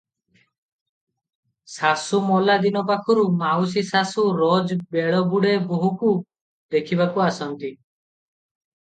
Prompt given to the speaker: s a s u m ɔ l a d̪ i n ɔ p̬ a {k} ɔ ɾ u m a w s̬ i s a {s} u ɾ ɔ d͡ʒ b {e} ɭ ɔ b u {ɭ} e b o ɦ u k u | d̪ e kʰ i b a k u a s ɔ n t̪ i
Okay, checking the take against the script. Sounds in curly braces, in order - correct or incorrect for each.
incorrect: kʰ, correct, correct, incorrect: ɽ

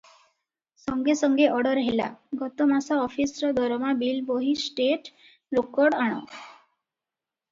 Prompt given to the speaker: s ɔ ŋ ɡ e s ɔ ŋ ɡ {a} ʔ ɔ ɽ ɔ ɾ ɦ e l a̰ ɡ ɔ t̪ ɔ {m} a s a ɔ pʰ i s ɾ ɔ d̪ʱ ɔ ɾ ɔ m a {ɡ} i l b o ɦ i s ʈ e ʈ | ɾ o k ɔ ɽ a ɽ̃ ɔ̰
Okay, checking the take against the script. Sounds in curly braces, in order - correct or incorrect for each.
incorrect: e, correct, incorrect: b

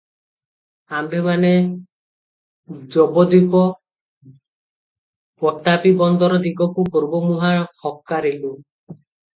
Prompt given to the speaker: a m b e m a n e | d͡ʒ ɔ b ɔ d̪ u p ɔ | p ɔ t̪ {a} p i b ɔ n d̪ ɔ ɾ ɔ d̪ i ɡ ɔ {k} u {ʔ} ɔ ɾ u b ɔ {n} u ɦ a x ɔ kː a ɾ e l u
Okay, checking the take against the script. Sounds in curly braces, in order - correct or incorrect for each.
correct, correct, incorrect: k, incorrect: m

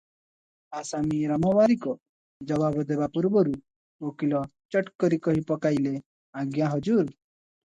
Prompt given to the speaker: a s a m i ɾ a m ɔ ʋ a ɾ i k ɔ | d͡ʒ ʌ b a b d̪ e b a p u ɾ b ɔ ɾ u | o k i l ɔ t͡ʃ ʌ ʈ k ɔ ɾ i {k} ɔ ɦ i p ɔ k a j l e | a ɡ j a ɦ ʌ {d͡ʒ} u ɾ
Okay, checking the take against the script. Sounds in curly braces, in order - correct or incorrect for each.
correct, correct

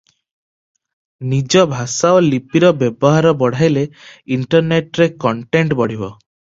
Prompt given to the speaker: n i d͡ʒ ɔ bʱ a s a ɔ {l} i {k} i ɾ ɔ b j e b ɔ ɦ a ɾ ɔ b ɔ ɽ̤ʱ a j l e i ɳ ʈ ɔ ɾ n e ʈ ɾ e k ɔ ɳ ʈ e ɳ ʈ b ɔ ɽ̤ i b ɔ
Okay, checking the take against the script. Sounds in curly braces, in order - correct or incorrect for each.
correct, incorrect: p

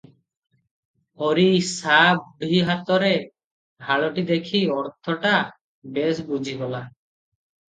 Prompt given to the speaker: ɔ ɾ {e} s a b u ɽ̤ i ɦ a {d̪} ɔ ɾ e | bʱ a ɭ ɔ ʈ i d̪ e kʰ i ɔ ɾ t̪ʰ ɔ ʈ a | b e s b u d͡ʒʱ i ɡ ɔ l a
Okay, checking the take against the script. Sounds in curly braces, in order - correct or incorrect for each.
incorrect: i, incorrect: t̪

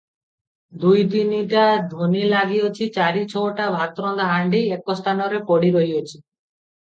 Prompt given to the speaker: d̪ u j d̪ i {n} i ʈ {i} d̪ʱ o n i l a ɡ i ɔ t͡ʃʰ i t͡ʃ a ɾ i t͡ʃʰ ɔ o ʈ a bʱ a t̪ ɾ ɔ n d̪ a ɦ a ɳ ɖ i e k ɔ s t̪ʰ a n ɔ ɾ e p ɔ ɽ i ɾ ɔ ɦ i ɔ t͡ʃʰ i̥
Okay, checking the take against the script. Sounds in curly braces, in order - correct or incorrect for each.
correct, incorrect: a

